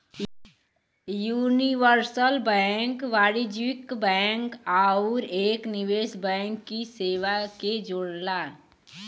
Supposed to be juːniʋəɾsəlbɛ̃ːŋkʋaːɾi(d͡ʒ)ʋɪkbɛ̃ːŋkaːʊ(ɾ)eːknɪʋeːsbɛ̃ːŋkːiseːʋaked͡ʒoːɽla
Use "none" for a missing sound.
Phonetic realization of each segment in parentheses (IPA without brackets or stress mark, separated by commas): d͡ʒ, ɾ